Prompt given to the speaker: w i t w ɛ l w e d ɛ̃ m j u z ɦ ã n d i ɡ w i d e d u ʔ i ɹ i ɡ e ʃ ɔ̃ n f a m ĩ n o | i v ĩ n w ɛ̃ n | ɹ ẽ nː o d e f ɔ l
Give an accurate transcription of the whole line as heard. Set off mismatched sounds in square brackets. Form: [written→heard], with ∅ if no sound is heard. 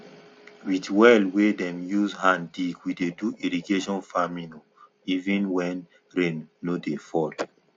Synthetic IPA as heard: w i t w ɛ l w e d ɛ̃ m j u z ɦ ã n d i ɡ w i d e d u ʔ i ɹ i ɡ e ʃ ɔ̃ n f a m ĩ n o | i v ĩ n w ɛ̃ n | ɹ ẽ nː o d e f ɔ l